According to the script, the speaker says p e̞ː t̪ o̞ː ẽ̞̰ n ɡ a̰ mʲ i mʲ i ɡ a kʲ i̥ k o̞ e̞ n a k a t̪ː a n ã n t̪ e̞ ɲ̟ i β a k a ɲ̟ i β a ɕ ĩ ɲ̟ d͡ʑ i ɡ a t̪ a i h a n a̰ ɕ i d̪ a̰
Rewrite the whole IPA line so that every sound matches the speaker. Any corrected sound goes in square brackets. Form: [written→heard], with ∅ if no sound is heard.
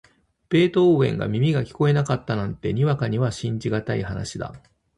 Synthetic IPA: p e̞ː t̪ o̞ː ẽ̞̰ [n→ŋ] ɡ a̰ mʲ i mʲ i ɡ a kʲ i̥ k o̞ e̞ n a k a t̪ː a n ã n t̪ e̞ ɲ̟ i β a k a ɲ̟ i β a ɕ ĩ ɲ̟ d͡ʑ i ɡ a t̪ a i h a n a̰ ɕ i d̪ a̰